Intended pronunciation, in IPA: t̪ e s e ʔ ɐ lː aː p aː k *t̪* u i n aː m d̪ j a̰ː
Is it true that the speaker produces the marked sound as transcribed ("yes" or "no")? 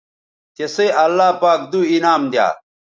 no